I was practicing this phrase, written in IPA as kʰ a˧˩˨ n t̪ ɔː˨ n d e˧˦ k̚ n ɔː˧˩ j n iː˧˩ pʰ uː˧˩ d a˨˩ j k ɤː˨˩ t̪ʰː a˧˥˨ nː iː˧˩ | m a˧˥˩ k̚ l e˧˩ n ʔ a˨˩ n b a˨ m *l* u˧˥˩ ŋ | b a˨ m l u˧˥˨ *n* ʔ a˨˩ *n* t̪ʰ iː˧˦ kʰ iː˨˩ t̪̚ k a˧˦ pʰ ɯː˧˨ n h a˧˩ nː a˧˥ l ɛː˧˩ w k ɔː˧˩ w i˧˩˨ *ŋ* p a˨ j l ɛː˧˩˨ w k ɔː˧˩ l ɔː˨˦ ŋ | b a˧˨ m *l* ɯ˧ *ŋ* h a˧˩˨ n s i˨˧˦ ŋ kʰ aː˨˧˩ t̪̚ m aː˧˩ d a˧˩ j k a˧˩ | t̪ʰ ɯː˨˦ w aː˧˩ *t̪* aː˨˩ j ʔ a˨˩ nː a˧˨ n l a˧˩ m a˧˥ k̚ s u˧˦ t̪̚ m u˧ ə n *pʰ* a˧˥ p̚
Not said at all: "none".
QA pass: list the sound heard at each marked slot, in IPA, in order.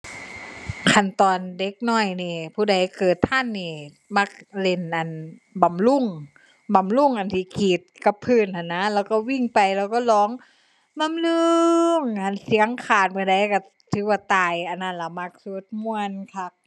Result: l, ŋ, n, ŋ, l, ŋ, t̪, kʰ

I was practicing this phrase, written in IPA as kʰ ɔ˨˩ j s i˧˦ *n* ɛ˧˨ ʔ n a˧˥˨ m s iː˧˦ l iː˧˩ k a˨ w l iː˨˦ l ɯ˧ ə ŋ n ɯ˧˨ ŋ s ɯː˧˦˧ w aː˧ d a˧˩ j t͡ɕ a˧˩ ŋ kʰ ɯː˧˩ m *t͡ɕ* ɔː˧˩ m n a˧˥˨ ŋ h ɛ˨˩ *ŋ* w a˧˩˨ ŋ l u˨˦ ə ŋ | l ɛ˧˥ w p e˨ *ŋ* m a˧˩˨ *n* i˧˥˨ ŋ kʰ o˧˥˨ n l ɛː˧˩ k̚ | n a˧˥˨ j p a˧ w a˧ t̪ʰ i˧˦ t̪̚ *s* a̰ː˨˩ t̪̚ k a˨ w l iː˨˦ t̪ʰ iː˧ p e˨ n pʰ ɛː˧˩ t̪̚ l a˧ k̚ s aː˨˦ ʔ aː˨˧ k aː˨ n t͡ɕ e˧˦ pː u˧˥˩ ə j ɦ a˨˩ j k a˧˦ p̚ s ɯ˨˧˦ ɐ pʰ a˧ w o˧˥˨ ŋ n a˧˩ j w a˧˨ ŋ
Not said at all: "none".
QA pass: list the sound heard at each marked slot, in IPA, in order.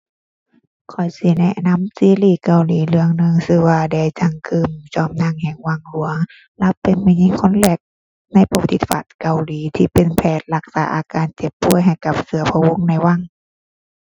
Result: n, t͡ɕ, ŋ, n, ɲ, f

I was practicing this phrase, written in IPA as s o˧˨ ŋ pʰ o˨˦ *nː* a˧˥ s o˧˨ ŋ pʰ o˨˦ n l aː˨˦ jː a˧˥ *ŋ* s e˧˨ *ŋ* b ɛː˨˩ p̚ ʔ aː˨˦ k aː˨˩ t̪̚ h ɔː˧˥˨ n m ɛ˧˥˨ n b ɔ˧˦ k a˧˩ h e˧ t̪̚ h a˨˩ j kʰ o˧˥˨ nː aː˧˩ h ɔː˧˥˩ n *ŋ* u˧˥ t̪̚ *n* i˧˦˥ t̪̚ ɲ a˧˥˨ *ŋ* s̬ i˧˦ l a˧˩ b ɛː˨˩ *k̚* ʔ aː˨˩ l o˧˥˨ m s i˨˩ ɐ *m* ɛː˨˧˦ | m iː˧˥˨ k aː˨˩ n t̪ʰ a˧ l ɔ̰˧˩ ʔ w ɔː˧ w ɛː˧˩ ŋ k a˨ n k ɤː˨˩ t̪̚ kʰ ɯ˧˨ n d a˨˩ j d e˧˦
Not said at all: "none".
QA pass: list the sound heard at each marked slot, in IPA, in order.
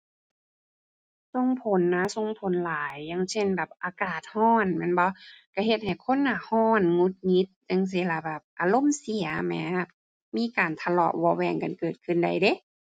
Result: nː, ŋ, n, ŋ, ŋ, ŋ, p̚, m

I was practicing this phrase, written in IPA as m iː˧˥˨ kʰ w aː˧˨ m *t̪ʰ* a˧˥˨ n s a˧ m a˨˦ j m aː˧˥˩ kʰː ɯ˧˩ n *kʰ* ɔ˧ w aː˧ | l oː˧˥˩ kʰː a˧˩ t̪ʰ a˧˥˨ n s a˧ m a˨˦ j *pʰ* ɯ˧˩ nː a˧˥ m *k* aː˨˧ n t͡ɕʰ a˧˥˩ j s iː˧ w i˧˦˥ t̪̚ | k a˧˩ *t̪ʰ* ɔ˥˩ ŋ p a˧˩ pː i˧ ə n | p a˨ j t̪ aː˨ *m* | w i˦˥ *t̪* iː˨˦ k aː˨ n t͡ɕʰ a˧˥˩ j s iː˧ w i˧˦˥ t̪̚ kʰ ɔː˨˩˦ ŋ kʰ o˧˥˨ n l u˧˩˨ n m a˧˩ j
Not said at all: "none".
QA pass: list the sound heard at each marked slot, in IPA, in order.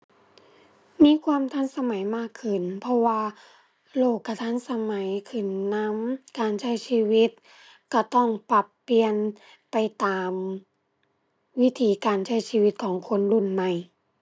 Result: t̪ʰ, pʰ, kʰ, k, t̪, m, t̪ʰ

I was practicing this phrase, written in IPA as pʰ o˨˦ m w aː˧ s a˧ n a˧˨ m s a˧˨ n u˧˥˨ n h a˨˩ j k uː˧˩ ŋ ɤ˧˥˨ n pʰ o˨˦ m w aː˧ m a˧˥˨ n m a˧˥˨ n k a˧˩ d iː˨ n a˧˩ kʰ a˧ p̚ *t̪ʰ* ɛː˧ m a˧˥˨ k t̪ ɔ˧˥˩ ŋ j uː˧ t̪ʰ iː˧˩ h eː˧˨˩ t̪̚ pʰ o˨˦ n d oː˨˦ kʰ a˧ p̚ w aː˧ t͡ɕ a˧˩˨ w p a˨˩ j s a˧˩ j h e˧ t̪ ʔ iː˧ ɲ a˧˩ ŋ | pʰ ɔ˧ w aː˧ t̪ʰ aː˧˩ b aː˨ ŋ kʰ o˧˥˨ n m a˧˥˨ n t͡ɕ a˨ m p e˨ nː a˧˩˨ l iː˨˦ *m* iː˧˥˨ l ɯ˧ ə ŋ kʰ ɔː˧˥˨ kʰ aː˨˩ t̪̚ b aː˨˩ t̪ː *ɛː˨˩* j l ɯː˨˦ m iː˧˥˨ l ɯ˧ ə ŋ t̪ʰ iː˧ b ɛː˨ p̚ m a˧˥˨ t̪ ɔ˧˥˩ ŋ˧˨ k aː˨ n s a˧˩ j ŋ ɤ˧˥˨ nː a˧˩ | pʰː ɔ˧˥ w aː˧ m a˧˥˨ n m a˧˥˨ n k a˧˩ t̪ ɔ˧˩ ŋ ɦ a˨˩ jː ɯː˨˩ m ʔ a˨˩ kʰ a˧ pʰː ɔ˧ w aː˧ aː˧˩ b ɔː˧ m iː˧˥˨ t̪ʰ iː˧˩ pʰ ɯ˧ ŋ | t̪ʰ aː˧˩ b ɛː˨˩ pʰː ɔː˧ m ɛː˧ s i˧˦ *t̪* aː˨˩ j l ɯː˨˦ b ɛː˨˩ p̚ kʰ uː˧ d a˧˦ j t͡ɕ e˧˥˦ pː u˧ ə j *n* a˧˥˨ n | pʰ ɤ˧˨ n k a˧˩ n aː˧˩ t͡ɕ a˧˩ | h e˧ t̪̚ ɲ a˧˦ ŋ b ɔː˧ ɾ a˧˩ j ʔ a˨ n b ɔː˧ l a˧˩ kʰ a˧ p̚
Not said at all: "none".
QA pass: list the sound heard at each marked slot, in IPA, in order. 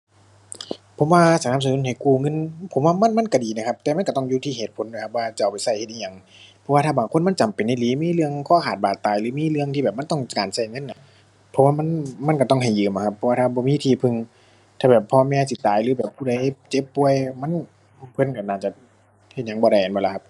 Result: t̪, m, aː˨˩, t̪, m

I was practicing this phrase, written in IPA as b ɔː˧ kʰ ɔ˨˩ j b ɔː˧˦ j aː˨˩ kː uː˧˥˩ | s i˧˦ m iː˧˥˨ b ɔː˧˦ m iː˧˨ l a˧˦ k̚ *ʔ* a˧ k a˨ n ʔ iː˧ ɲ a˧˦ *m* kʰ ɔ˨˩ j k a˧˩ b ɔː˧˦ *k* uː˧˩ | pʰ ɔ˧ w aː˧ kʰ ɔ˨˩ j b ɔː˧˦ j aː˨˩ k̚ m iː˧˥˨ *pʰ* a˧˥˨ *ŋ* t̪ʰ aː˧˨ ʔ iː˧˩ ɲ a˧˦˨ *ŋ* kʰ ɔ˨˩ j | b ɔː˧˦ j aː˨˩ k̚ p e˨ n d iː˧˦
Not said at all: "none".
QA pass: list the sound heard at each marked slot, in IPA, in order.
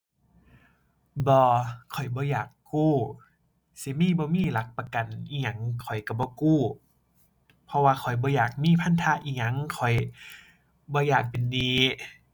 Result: p, ŋ, k, pʰ, n, ŋ

